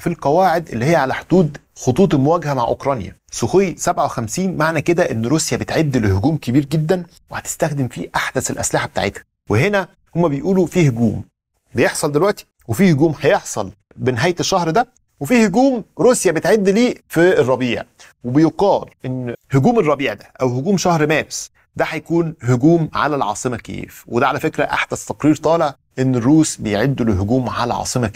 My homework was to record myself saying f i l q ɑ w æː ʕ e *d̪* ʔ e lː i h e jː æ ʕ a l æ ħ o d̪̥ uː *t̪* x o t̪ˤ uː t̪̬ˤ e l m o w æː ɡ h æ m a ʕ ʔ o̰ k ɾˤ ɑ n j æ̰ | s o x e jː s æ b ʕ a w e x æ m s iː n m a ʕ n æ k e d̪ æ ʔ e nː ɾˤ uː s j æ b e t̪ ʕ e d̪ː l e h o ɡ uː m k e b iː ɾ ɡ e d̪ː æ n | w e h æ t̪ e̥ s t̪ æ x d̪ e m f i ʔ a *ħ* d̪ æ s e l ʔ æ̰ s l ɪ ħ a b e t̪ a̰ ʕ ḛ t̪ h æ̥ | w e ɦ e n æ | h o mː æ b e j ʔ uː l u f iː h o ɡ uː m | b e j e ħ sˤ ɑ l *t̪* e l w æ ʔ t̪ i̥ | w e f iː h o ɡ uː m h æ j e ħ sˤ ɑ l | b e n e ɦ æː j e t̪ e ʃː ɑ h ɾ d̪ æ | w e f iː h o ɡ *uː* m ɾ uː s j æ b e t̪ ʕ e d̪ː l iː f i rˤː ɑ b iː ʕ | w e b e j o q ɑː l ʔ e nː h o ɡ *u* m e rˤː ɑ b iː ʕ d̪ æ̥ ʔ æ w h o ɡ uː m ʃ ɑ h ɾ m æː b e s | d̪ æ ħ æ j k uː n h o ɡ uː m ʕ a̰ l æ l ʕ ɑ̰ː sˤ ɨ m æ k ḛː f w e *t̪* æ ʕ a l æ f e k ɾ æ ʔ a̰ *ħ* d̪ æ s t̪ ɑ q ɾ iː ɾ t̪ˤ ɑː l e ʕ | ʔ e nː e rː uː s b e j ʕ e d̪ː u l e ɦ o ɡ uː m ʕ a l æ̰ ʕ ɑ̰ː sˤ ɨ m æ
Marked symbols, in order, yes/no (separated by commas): yes, no, yes, no, yes, no, no, yes